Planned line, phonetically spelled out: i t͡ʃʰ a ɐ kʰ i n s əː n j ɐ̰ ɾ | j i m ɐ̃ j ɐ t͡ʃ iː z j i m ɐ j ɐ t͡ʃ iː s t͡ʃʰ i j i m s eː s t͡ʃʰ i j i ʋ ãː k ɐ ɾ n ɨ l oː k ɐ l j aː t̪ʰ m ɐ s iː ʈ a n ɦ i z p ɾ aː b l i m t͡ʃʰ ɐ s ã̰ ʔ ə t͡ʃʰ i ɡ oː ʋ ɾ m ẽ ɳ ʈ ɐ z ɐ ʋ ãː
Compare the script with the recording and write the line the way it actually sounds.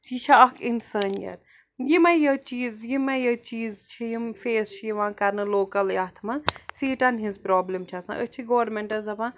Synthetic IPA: i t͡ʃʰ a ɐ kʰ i n s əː n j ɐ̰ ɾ | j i m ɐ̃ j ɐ t͡ʃ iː z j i m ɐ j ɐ t͡ʃ iː z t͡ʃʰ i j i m f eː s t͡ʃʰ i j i ʋ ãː k ɐ ɾ n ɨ l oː k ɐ l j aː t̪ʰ m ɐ s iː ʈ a n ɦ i z p ɾ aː b l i m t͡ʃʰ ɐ s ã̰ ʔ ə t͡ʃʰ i ɡ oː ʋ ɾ m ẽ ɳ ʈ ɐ z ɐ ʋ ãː